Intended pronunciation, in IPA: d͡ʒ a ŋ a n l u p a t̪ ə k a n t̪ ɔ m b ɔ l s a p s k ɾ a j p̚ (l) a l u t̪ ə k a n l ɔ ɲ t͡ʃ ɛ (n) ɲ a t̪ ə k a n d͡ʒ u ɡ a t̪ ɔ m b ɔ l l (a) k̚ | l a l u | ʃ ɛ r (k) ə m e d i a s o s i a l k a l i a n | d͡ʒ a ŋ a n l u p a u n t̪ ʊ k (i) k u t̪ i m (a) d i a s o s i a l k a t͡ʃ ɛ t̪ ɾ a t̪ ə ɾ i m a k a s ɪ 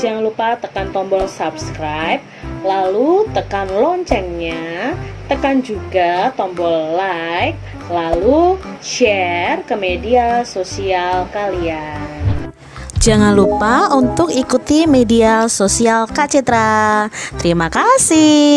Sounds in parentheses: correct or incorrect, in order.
correct, incorrect: ŋ, correct, correct, correct, incorrect: e

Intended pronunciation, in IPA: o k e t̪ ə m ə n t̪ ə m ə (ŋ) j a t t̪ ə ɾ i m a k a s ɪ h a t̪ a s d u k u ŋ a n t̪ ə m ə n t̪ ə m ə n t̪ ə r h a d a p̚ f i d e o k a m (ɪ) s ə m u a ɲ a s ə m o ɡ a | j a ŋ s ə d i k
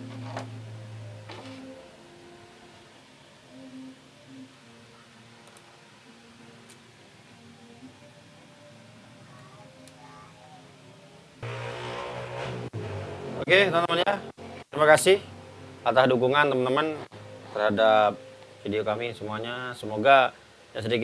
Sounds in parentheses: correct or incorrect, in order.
incorrect: n, incorrect: i

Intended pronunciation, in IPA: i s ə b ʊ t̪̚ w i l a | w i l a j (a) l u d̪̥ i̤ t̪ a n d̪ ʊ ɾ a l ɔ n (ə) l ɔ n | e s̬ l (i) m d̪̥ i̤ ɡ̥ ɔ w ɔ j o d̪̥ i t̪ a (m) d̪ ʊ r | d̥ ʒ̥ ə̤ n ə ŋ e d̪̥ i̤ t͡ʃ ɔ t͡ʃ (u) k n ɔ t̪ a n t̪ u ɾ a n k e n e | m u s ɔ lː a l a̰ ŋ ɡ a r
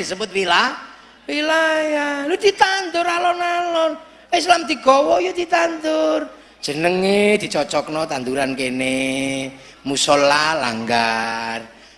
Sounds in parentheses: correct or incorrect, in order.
correct, incorrect: a, incorrect: a, incorrect: n, incorrect: ɔ

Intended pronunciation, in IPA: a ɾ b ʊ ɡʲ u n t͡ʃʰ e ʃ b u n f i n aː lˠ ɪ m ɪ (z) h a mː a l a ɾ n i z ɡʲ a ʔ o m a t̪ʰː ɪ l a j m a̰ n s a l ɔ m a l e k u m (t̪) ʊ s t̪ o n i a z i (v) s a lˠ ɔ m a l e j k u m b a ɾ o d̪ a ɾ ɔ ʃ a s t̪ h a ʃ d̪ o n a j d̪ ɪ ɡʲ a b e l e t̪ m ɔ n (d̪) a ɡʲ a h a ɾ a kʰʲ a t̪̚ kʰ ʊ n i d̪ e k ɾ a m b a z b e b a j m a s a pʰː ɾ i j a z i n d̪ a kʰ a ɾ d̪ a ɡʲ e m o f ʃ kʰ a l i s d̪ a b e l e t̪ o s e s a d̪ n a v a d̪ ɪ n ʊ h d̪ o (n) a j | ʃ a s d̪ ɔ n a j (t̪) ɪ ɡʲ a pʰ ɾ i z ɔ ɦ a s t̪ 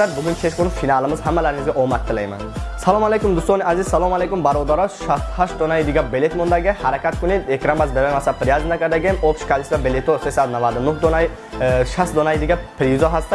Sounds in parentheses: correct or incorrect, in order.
correct, incorrect: d̪, incorrect: z, correct, correct, incorrect: d̪

